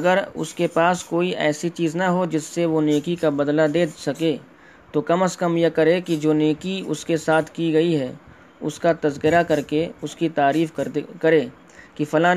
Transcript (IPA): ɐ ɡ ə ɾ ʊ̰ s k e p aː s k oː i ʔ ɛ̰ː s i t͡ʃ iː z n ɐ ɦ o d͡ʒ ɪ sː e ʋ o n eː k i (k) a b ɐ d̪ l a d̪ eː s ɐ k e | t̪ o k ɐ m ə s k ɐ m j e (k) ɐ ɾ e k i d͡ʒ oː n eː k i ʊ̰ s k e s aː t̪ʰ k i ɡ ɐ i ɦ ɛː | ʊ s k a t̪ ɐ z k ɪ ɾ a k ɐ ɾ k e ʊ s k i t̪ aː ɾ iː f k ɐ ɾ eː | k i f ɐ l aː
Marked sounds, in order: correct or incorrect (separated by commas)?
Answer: correct, correct